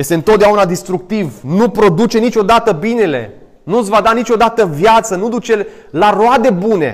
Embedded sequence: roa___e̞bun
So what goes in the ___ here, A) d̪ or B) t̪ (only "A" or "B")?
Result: A